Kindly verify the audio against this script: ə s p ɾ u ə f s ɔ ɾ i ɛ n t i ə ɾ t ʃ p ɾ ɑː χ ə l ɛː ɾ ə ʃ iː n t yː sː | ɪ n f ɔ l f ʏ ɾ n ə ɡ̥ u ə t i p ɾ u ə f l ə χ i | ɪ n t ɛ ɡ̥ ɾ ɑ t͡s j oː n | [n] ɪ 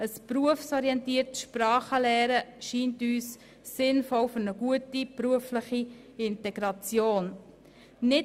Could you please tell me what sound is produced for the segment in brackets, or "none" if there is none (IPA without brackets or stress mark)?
n